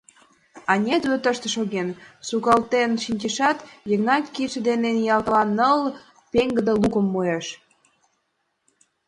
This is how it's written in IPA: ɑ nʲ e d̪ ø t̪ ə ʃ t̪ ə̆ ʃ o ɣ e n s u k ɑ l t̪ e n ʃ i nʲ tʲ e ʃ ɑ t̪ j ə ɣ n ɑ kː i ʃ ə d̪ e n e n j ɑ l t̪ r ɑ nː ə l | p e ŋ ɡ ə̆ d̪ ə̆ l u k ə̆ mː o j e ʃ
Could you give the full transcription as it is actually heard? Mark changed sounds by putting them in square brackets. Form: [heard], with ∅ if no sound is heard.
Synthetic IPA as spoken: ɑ nʲ e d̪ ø t̪ ə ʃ t̪ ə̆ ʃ o ɣ e n s u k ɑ l t̪ e n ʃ i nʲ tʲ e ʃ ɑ t̪ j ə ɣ n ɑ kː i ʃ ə d̪ e n e n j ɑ l t̪ [l] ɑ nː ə l | p e ŋ ɡ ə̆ d̪ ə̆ l u k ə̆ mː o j e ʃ